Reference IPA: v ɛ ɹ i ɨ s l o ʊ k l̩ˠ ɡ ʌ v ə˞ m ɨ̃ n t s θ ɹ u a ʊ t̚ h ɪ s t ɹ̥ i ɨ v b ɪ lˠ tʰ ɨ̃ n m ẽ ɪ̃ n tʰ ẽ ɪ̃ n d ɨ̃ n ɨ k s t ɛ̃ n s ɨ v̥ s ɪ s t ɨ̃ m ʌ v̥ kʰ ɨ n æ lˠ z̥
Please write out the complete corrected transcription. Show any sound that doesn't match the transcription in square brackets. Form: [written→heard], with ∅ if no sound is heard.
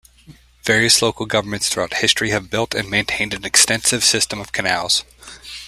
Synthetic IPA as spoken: v ɛ ɹ i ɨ s l o ʊ k l̩ˠ ɡ ʌ v ə˞ m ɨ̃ n t s θ ɹ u a ʊ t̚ h ɪ s t ɹ̥ i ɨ v b ɪ lˠ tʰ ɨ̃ n m ẽ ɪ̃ n tʰ ẽ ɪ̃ n d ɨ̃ n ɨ k s t ɛ̃ n s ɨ v̥ s ɪ s t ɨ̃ m ʌ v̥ kʰ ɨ n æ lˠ z̥